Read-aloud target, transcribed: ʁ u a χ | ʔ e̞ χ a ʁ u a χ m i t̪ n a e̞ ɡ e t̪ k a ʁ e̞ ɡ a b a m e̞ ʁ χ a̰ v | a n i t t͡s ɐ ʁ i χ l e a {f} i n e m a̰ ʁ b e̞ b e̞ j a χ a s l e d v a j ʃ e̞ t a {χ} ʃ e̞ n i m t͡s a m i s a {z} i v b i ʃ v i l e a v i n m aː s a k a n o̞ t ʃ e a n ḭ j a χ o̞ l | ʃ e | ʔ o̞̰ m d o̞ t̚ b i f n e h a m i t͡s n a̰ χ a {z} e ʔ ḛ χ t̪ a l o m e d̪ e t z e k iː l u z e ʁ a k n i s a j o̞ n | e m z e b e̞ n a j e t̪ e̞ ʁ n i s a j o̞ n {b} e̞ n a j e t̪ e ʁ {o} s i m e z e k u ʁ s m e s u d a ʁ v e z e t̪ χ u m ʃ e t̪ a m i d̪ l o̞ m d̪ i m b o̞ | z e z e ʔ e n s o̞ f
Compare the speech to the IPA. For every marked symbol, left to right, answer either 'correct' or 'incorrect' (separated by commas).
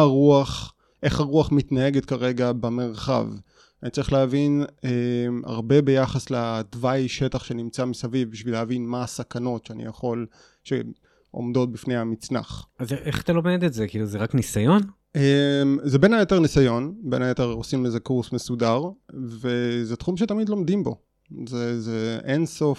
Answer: incorrect, correct, incorrect, correct, correct, correct